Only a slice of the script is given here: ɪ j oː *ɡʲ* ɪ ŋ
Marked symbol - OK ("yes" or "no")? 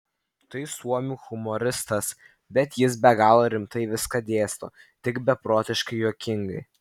no